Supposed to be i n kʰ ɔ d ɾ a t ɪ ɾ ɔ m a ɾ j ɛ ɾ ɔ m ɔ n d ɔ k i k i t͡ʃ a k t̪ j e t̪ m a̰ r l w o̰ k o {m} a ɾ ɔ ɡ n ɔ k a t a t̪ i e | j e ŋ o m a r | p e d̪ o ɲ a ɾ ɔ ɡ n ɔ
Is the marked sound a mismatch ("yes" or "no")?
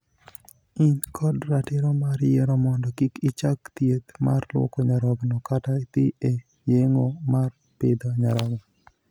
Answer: yes